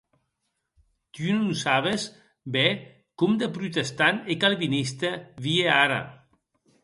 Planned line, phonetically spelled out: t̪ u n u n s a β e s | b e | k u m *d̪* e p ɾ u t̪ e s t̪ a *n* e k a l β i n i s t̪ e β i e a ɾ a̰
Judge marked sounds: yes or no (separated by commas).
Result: yes, yes